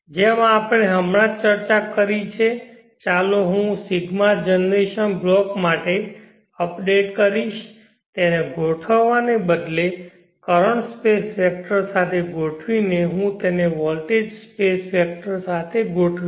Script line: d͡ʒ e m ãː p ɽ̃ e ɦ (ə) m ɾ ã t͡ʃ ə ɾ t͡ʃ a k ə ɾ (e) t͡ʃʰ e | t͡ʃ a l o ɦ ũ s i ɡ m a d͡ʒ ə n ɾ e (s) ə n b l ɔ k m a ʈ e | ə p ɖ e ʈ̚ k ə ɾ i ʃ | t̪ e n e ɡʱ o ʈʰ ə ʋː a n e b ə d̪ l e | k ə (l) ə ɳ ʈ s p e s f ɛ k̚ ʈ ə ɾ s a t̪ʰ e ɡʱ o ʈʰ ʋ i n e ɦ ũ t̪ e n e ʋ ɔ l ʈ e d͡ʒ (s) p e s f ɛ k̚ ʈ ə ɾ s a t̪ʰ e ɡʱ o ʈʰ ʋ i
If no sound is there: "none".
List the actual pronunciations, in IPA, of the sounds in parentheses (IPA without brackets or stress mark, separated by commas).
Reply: ə, i, ʃ, ɾ, s